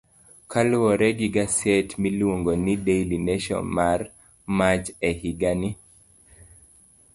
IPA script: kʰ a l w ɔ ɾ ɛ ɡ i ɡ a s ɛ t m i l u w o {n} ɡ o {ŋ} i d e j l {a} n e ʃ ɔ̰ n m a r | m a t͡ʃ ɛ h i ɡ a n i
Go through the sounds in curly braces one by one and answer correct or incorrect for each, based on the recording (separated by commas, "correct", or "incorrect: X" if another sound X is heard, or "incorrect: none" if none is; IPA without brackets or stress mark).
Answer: incorrect: ŋ, incorrect: n, incorrect: i